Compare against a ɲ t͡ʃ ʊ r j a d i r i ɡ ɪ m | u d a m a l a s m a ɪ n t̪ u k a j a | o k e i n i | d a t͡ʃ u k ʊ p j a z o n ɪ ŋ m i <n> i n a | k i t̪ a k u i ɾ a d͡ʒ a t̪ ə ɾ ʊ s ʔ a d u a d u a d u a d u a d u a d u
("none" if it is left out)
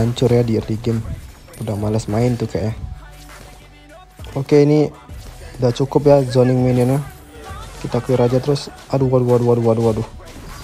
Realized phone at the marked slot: n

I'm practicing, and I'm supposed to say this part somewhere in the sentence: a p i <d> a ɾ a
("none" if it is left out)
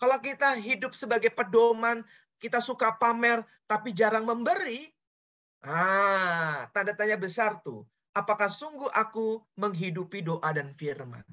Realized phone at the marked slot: d͡ʒ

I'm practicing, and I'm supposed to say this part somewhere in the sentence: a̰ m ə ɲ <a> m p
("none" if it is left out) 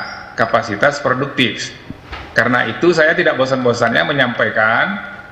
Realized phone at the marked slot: a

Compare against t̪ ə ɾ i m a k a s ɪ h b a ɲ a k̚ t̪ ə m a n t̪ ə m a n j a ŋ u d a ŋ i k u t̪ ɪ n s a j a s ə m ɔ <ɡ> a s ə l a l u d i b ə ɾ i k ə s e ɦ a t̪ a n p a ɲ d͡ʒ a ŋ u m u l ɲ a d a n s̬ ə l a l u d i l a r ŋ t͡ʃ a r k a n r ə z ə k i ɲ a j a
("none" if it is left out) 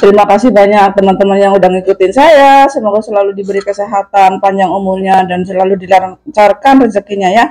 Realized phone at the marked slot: ɡ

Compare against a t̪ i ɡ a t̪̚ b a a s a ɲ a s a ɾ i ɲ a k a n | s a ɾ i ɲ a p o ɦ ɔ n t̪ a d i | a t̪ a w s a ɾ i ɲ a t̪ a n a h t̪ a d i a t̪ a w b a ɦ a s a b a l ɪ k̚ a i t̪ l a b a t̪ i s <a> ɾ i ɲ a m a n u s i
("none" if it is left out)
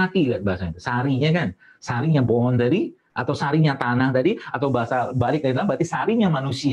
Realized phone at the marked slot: a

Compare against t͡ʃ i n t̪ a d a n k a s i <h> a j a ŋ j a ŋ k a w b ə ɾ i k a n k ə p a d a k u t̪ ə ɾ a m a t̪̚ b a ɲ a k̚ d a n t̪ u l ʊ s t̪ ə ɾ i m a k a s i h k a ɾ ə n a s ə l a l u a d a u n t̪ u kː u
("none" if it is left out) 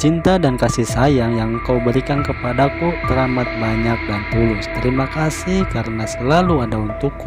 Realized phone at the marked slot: s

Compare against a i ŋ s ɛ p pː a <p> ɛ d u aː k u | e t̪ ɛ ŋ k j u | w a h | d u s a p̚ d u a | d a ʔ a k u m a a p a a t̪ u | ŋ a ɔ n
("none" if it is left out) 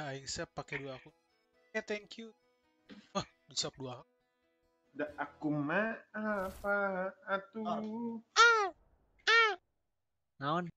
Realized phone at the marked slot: k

